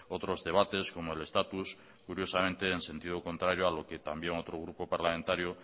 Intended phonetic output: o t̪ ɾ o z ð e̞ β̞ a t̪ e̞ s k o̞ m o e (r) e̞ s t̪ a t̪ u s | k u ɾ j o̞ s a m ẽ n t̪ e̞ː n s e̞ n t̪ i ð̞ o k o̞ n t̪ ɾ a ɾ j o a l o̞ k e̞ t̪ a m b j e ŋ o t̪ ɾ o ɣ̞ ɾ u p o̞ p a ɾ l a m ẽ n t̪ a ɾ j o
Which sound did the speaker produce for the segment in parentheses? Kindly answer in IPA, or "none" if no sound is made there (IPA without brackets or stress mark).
l